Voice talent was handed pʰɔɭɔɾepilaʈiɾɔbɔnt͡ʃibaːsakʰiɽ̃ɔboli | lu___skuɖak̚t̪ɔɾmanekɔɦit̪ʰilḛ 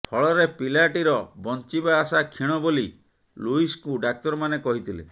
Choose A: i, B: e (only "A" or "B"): A